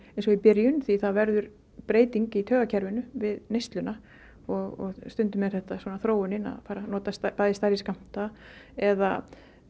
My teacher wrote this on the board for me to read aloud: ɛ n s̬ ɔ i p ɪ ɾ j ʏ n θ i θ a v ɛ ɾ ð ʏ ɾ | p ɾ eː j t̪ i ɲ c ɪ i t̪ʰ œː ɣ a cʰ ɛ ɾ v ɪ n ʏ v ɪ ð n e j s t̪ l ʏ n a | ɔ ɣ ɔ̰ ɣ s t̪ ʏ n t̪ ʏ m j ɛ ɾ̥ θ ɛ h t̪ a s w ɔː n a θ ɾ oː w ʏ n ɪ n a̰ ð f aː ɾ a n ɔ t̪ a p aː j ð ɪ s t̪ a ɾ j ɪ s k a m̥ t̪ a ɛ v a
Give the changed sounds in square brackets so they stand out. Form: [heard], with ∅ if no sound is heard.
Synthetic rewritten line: ɛ n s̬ ɔ i p ɪ ɾ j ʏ n θ i θ a v ɛ ɾ ð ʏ ɾ | p ɾ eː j t̪ i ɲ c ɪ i t̪ʰ œː ɣ a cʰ ɛ ɾ v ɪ n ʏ v ɪ ð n e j s t̪ l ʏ n a | ɔ ɣ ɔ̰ ɣ s t̪ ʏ n t̪ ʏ m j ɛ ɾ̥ θ ɛ h t̪ a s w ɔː n a θ ɾ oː w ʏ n ɪ n a̰ ð f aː ɾ a n [ɔː] t̪ a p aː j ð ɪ s t̪ a ɾ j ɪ s k a m̥ t̪ a ɛ [ð] a